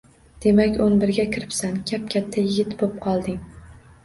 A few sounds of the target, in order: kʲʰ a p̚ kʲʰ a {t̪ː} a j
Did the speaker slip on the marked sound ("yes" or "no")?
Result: yes